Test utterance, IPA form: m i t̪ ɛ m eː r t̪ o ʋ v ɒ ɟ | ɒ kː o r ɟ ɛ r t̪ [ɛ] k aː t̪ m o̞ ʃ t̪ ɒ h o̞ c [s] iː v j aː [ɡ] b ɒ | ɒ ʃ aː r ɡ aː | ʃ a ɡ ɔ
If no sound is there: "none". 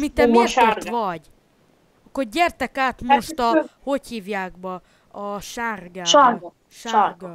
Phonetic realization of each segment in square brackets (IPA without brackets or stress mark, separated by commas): ɛ, h, ɡ